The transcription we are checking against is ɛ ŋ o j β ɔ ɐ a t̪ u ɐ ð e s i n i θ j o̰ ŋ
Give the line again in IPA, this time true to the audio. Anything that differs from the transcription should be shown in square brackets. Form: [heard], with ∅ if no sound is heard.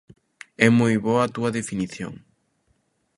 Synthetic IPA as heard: ɛ [m] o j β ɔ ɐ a t̪ u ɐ ð e [f] i n i θ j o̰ ŋ